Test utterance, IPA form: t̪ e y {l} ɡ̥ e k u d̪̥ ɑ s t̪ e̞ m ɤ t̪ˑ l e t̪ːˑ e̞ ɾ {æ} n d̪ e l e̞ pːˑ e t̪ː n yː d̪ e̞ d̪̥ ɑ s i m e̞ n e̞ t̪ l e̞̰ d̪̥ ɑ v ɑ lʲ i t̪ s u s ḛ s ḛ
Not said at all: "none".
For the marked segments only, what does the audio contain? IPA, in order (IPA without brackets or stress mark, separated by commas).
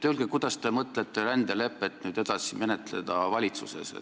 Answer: l, æ